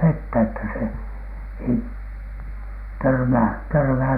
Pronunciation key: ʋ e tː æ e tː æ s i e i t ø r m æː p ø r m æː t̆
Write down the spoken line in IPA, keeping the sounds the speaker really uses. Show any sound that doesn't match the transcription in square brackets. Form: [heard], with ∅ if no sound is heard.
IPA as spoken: ʋ e tː æ e tː æ s [e] e i t ø r m æː [t] ø r m æː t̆